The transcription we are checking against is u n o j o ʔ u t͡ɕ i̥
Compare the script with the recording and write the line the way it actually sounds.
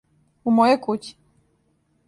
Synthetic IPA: u m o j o k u t͡ɕ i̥